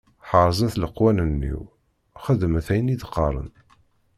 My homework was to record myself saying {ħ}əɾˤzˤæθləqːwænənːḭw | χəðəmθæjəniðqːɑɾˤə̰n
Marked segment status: correct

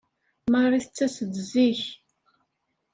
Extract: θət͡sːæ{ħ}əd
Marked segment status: incorrect: s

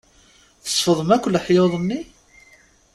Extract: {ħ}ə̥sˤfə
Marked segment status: incorrect: θ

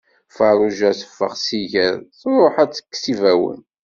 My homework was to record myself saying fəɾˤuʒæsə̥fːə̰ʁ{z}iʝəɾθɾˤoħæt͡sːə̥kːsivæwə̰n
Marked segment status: incorrect: s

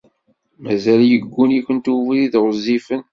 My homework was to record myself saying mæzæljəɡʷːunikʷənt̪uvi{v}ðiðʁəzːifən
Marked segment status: incorrect: none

